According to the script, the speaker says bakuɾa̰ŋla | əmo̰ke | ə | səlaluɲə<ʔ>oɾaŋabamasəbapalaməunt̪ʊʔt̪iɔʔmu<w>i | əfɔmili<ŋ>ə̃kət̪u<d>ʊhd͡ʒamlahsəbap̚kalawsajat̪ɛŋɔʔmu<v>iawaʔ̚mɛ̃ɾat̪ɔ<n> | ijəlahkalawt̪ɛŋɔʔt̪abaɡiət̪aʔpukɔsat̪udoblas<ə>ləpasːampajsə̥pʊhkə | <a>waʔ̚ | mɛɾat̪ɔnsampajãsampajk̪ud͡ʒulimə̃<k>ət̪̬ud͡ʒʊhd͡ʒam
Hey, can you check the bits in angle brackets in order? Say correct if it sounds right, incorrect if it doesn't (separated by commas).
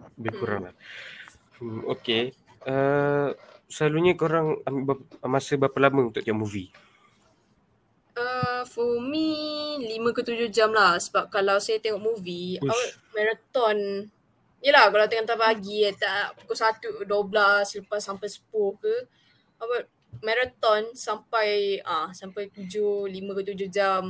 incorrect, incorrect, incorrect, incorrect, correct, correct, correct, correct, correct